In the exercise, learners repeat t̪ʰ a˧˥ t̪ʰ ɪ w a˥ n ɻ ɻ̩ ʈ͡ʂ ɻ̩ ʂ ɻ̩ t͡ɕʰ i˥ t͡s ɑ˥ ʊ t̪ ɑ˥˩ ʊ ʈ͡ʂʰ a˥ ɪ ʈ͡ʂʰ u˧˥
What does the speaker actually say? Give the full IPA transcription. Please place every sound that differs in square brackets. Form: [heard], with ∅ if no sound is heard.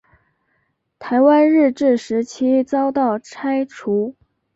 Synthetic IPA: t̪ʰ a˧˥ [∅] ɪ w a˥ n ɻ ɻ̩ ʈ͡ʂ ɻ̩ ʂ ɻ̩ t͡ɕʰ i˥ t͡s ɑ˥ ʊ t̪ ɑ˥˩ ʊ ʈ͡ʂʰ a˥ ɪ ʈ͡ʂʰ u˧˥